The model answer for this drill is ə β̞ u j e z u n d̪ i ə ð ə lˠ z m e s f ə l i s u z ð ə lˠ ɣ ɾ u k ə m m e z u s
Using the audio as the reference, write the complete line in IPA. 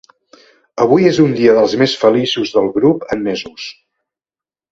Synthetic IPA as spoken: ə β̞ u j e z u n d̪ i ə ð ə lˠ z m e s f ə l i s u z ð ə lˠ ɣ ɾ u p ə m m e z u s